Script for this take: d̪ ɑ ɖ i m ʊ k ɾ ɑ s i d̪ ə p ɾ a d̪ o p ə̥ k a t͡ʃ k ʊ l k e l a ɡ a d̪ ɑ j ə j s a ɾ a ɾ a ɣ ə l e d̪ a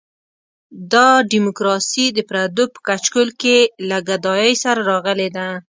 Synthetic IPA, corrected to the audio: d̪ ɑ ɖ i m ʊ k ɾ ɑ s i d̪ ə p ɾ a d̪ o p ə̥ k a t͡ʃ k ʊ l k e l a ɡ a d̪ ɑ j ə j s a ɾ a ɾ ɑ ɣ ə l e d̪ a